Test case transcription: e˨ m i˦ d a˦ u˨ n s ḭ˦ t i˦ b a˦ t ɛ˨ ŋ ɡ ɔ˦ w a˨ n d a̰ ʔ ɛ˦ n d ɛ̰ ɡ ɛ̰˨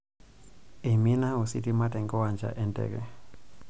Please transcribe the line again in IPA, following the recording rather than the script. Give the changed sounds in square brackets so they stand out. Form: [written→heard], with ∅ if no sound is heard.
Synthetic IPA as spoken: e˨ m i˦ [d→n] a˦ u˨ [n→∅] s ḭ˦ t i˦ [b→m] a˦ t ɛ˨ ŋ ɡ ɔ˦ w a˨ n [d→d͡ʒ] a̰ ʔ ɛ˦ n d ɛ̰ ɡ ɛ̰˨